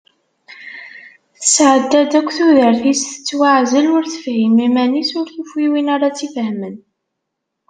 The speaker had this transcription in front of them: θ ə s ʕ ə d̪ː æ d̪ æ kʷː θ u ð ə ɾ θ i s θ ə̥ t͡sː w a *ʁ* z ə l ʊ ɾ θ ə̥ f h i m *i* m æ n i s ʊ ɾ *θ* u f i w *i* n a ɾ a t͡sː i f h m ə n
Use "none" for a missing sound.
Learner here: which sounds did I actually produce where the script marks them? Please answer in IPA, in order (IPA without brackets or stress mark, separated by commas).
ʕ, i, θ, i